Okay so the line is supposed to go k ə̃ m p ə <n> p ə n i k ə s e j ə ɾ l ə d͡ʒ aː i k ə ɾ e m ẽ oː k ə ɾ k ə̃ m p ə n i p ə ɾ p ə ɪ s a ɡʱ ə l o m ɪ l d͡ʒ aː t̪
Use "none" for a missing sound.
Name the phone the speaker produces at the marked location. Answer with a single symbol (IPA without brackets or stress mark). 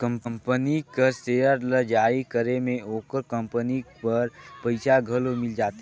m